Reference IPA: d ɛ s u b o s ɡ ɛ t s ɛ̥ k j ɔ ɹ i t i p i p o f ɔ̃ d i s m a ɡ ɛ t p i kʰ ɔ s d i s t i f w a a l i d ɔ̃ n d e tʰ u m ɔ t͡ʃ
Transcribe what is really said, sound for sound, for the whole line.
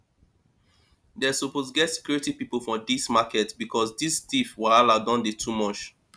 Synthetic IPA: d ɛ s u p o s ɡ ɛ t s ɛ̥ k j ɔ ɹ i t i p i p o f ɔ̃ d i s m a k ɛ t b i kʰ ɔ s d i s t i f w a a l a d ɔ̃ n d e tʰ u m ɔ t͡ʃ